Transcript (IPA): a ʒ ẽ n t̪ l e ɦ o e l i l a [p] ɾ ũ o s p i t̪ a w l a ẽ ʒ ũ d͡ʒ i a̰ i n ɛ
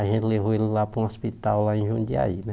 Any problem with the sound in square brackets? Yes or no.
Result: no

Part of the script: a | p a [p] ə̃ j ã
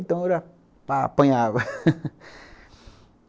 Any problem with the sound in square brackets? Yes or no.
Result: no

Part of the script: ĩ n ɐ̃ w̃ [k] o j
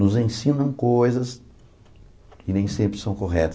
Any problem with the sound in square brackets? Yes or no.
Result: no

